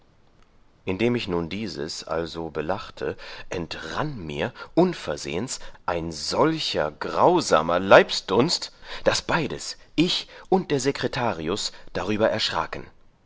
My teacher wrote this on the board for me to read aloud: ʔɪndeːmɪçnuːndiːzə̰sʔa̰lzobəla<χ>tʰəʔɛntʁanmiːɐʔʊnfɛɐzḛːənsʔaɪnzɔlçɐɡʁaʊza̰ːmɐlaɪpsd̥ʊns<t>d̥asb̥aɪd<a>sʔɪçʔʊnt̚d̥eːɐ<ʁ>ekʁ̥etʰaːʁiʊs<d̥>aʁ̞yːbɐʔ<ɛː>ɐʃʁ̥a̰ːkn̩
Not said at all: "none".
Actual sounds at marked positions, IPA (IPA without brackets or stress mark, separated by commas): χ, t, ə, z, d̥, ɛ